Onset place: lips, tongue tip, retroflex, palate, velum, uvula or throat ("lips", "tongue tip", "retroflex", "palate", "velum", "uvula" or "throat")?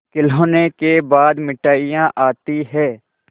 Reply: velum